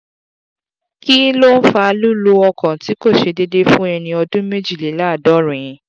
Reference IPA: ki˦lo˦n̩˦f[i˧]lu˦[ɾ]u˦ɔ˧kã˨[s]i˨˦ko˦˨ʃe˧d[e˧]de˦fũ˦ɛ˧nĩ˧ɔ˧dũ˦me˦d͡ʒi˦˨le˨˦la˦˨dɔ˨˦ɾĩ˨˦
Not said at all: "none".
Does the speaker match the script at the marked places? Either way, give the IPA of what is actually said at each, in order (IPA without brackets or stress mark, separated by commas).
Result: a˧, l, t, e˧